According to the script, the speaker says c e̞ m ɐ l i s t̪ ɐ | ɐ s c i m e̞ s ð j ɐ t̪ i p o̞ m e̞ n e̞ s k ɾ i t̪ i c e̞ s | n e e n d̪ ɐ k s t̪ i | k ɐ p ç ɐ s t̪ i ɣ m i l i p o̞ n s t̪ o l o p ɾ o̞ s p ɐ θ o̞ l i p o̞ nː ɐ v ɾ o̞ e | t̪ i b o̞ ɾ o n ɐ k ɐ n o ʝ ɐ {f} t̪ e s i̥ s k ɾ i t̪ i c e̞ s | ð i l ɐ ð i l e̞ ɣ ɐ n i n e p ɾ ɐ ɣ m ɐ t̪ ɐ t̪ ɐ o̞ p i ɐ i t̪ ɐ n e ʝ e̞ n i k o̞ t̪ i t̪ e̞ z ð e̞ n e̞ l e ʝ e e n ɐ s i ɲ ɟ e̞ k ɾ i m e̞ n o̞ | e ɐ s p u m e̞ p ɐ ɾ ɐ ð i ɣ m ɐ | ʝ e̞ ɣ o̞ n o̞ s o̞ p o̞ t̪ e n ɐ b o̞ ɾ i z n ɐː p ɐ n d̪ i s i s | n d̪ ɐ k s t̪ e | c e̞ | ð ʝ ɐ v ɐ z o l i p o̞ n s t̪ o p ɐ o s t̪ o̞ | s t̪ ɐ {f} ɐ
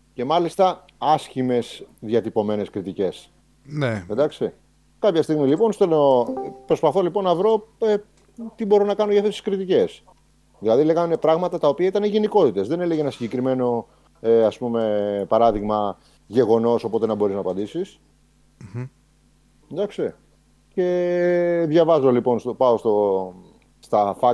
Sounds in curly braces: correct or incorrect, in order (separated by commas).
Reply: correct, correct